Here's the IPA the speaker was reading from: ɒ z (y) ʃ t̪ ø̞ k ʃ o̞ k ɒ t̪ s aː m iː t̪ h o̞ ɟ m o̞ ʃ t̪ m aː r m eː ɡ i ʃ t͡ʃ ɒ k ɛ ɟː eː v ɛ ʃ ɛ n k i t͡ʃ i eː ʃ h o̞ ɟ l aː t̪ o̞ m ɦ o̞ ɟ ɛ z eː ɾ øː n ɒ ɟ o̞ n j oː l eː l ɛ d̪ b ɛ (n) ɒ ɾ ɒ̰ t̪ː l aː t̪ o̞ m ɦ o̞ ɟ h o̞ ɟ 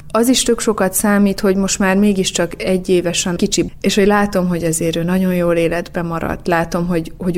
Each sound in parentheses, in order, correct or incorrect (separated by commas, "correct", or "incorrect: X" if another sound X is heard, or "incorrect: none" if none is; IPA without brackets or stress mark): incorrect: i, incorrect: m